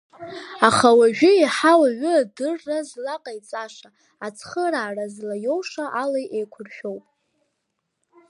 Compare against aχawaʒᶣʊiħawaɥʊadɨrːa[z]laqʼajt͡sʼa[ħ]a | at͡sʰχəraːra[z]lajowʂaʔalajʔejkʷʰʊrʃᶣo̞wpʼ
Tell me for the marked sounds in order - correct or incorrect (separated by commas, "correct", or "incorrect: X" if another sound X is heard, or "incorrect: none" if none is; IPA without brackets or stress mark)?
correct, incorrect: ʂ, correct